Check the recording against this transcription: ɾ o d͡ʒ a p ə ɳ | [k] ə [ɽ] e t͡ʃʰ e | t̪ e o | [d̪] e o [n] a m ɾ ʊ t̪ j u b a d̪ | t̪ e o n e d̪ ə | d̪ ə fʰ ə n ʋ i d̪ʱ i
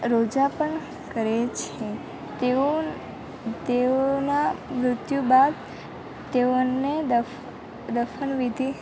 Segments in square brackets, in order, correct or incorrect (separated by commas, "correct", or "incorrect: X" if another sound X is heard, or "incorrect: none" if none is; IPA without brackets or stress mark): correct, incorrect: ɾ, incorrect: t̪, correct